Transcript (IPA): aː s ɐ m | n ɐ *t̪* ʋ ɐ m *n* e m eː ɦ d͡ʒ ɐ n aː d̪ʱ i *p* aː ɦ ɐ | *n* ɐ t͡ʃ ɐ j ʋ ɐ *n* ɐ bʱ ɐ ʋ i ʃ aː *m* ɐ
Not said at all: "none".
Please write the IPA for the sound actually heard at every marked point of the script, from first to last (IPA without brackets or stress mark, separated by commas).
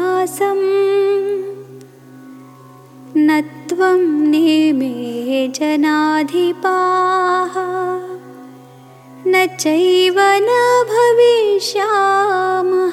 t̪, n, p, n, n, m